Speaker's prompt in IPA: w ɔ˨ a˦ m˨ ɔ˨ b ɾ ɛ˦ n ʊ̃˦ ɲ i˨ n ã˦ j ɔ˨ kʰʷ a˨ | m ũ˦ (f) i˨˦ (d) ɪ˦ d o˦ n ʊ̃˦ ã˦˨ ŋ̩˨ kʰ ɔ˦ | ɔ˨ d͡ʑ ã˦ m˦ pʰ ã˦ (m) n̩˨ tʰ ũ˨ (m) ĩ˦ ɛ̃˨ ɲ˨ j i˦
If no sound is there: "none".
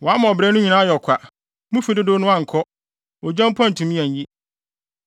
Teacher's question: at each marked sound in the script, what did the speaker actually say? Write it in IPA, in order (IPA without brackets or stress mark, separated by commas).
f, d, none, m